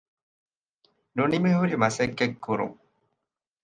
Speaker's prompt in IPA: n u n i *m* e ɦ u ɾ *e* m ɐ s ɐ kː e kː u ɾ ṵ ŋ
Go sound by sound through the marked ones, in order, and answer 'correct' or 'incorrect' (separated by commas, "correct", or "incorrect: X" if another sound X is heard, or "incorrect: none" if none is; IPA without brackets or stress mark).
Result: correct, incorrect: i